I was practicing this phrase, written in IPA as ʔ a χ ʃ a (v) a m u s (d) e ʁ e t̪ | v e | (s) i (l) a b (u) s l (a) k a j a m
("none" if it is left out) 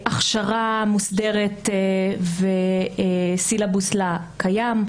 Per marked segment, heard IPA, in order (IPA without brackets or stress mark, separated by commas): ʁ, d, s, l, u, a